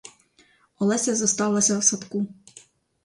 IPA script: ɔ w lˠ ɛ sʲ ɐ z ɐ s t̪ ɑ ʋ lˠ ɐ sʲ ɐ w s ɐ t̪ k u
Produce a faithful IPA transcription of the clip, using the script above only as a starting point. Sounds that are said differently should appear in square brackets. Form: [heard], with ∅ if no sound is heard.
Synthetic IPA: ɔ [∅] lˠ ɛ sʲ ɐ z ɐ s t̪ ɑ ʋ lˠ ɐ sʲ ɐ w s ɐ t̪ k u